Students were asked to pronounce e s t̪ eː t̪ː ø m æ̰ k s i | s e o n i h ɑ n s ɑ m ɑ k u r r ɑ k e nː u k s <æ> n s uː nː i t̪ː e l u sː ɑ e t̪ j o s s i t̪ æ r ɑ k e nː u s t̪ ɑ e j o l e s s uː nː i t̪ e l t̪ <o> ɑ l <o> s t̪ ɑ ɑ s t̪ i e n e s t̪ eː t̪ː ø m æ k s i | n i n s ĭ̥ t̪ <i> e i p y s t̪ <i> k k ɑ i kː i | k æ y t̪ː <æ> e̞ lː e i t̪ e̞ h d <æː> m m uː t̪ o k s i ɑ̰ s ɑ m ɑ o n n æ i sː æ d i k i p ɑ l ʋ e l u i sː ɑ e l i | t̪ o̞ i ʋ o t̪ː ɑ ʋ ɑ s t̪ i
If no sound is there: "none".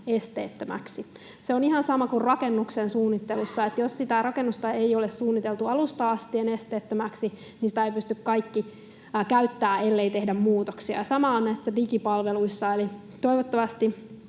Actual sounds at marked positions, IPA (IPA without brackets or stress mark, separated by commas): e, u, u, æ, y, æː, æ